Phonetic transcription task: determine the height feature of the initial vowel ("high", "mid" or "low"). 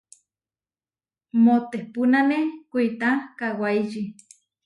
mid